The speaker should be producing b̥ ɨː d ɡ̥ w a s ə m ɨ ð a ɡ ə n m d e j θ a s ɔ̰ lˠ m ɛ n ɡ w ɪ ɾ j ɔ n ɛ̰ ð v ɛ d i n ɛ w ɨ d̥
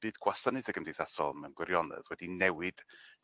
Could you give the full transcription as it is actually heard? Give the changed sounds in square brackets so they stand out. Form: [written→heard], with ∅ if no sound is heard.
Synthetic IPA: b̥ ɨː d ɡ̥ w a s ə [m→n] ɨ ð [a→ə] ɡ ə [n→∅] m d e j θ a s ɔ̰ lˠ m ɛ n ɡ w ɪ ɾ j ɔ n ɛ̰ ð [v→w] ɛ d i n ɛ w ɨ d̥